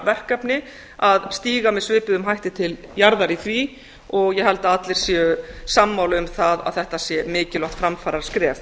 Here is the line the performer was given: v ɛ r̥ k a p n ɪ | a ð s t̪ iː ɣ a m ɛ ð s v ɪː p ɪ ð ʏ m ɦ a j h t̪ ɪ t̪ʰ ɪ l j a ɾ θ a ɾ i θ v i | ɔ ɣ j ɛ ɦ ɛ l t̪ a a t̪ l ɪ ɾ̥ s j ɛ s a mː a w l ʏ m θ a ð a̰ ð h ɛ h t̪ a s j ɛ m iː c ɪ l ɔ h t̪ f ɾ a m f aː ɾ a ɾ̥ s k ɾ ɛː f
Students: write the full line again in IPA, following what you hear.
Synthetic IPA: v ɛ r̥ k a p n ɪ | a ð s t̪ iː ɣ a m ɛ ð s v ɪː p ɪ ð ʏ m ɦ a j h t̪ ɪ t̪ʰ ɪ l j a ɾ ð a ɾ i θ v i | ɔ ɣ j ɛ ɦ ɛ l t̪ a a t̪ l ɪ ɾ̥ s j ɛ s a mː a w l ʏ m θ a ð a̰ ð θ ɛ h t̪ a s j ɛ m ɪː c ɪ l ɔ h t̪ f ɾ a m f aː ɾ a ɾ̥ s k ɾ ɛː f